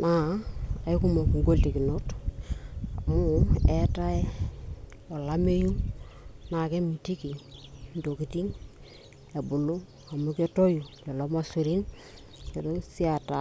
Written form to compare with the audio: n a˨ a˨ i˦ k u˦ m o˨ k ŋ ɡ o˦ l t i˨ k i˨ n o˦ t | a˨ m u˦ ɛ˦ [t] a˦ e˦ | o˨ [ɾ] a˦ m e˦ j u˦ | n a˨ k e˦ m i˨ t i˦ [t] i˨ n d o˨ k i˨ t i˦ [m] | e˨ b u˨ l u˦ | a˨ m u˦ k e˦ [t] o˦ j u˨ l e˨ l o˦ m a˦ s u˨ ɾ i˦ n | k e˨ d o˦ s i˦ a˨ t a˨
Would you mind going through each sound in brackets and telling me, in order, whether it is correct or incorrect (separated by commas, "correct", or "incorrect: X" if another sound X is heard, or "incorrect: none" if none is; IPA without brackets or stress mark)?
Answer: correct, incorrect: l, incorrect: k, incorrect: ŋ, correct